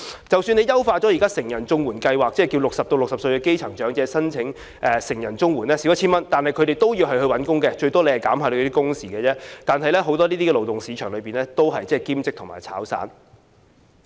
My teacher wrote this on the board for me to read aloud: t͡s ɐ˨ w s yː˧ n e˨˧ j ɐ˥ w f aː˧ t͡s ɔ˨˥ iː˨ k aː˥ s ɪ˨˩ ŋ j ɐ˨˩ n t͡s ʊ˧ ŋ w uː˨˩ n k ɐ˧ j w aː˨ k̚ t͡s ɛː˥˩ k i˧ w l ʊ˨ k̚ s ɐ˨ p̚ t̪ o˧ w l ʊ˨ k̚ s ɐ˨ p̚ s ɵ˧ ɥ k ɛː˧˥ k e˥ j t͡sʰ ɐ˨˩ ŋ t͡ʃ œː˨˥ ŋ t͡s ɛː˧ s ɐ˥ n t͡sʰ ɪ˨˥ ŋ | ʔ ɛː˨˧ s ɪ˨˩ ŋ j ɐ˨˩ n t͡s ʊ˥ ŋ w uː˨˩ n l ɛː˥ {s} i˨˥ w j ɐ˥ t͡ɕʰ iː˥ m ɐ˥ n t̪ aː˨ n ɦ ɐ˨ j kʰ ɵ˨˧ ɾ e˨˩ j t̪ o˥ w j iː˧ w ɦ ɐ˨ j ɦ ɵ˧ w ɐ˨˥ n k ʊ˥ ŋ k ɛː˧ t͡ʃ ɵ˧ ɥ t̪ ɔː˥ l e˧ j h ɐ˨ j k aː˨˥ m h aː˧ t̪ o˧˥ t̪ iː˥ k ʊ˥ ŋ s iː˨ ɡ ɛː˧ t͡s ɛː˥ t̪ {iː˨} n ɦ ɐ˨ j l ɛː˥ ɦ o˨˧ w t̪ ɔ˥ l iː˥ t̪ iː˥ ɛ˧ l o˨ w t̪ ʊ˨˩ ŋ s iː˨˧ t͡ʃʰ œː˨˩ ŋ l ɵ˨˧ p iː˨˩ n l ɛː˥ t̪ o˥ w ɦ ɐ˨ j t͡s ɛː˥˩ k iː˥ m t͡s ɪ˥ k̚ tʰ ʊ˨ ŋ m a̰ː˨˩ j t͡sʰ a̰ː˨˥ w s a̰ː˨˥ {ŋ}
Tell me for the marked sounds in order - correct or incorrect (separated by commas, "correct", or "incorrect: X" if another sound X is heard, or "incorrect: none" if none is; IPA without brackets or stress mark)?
correct, incorrect: aː˨, incorrect: n